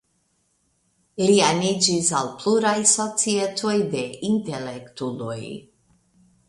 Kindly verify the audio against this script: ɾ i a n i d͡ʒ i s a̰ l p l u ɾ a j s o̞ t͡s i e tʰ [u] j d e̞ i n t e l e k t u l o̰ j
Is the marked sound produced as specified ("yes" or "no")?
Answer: no